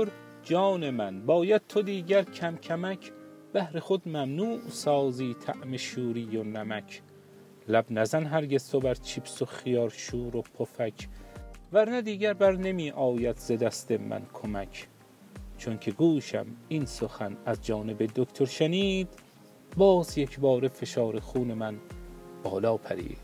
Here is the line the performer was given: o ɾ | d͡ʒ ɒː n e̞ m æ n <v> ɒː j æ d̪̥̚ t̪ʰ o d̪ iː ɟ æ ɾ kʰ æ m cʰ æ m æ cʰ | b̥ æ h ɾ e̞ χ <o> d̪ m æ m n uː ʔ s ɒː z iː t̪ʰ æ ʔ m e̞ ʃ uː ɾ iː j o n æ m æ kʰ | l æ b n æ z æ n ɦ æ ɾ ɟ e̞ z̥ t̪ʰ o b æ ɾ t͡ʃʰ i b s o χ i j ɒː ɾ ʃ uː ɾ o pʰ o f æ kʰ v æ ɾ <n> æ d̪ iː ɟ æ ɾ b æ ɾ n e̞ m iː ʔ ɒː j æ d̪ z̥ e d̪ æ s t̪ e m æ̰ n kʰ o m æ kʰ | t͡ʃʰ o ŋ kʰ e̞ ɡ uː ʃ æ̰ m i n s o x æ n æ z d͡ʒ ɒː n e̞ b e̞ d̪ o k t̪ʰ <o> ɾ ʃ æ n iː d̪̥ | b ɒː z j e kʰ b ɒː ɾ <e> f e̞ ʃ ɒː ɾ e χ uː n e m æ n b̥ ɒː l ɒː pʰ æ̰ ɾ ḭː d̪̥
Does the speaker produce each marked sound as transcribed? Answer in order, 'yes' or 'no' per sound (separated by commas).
no, yes, yes, yes, yes